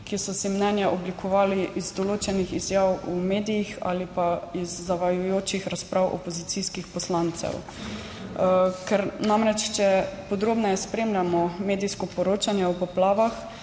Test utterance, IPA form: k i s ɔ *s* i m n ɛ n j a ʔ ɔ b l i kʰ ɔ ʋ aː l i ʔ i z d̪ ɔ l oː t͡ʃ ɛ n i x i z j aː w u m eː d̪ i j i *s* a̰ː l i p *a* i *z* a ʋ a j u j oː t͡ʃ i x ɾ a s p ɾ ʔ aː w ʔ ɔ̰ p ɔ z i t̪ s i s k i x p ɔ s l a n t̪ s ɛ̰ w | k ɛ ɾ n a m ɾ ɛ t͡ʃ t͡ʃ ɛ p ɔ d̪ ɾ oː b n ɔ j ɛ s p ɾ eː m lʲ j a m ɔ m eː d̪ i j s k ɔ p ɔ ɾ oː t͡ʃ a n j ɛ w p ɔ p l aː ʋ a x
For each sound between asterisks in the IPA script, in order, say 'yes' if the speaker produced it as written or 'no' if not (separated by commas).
yes, no, yes, no